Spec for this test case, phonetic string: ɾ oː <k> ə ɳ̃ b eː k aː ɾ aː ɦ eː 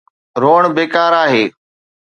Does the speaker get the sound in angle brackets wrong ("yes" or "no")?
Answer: yes